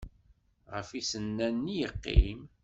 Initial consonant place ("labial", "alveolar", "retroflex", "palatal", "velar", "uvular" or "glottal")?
uvular